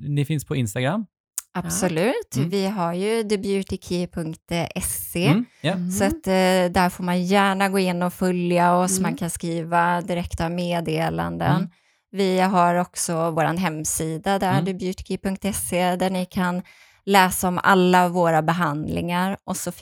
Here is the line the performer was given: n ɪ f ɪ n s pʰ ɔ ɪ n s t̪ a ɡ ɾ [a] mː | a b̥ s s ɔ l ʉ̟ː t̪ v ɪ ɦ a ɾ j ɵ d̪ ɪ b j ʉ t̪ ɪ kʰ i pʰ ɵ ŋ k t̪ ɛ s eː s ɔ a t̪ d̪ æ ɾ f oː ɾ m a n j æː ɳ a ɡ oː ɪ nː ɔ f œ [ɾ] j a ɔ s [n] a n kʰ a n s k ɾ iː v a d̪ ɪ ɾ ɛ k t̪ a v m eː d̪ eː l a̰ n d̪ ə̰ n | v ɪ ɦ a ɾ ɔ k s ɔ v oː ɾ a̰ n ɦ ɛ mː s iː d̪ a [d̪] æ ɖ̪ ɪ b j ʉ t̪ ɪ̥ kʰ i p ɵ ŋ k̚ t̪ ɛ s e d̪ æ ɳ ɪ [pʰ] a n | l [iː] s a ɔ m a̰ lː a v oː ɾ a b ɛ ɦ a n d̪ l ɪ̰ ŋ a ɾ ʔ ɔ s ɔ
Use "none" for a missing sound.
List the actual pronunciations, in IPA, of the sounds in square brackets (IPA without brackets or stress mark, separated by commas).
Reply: a, l, m, d̪, kʰ, ɛː